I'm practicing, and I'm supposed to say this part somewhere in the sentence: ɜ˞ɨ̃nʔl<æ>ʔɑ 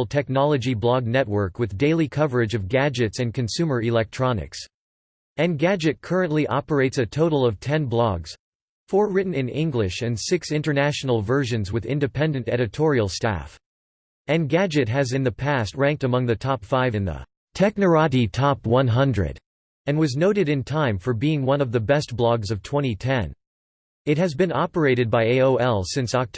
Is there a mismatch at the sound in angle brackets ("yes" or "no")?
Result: yes